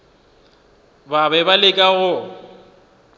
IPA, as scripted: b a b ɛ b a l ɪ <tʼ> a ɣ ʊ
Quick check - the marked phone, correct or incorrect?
incorrect